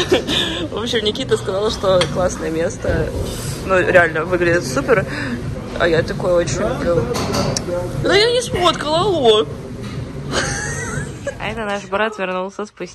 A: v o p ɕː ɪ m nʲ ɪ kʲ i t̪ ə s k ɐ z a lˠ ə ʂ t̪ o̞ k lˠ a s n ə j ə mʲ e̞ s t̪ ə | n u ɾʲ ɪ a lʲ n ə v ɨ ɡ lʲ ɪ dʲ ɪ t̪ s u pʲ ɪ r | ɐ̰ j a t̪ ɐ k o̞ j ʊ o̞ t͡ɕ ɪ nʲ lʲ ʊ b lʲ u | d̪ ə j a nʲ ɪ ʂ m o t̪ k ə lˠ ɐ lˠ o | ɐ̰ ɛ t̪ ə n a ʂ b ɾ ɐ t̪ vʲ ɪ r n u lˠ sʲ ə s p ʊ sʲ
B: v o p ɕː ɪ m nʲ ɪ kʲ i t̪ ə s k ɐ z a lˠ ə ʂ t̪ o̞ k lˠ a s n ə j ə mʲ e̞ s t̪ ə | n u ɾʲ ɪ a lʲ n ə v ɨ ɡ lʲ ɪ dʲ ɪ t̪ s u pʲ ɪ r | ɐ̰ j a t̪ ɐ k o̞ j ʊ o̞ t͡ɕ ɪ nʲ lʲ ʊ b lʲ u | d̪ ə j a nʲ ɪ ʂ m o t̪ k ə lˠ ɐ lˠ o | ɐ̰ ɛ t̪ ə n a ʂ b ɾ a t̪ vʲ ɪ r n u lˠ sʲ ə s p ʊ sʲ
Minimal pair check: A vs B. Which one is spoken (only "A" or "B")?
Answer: B